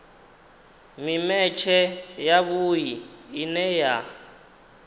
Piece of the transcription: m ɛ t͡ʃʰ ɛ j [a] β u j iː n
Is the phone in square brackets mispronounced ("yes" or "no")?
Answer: no